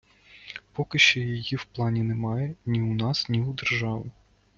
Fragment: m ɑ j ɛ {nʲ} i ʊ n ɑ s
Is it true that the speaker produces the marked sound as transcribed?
yes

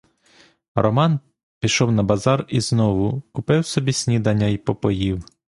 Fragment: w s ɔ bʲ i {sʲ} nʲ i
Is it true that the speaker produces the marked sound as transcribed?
yes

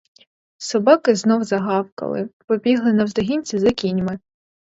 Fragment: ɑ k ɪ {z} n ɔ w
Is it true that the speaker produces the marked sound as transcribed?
yes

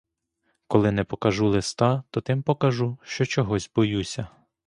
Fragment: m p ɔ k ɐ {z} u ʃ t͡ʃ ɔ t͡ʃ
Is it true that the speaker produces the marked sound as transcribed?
no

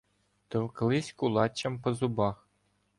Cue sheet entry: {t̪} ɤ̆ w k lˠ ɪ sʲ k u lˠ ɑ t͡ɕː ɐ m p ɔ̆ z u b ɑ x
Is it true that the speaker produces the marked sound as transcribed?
yes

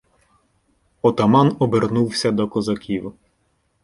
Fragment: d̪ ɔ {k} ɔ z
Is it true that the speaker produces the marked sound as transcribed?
yes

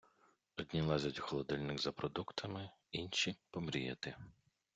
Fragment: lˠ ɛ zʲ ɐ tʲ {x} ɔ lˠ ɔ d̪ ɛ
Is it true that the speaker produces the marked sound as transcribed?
yes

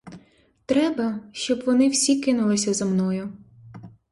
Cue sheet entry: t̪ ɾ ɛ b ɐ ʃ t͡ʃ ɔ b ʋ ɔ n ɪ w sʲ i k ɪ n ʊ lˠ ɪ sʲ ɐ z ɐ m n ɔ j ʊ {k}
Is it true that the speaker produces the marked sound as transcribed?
no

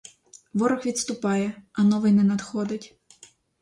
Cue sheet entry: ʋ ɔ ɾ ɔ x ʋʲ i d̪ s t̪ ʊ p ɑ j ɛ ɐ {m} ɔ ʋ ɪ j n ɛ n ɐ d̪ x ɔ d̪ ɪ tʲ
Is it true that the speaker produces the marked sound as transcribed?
no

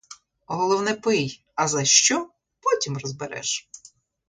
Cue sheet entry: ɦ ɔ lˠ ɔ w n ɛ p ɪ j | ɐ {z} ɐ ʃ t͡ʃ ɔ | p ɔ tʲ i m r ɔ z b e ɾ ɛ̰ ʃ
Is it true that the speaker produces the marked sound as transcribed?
yes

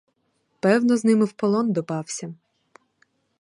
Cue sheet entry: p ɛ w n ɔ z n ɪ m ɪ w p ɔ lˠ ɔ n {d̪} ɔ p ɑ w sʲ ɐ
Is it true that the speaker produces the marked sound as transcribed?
yes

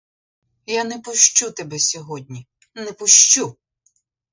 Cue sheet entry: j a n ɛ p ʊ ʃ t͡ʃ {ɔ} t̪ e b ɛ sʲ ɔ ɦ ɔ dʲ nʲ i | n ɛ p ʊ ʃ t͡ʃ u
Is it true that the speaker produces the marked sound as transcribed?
no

